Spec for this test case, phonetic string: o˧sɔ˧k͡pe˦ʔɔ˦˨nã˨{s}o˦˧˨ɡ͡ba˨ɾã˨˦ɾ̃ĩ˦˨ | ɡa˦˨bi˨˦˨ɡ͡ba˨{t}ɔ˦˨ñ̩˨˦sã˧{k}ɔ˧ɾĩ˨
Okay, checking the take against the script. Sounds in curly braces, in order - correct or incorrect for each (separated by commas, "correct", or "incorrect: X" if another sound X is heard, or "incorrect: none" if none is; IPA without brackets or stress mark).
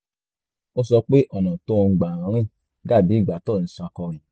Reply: incorrect: t, correct, correct